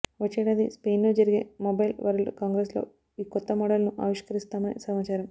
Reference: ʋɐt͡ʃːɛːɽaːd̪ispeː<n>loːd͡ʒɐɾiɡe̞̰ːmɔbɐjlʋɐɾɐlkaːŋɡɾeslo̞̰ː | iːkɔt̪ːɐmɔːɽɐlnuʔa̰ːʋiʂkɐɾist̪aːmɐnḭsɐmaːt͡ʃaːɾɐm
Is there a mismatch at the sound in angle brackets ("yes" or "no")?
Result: no